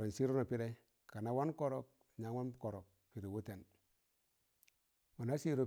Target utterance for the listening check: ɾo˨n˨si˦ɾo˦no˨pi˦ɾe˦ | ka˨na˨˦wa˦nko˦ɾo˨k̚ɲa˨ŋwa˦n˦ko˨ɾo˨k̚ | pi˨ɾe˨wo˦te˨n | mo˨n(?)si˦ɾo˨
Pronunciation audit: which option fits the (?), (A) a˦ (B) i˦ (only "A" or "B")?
A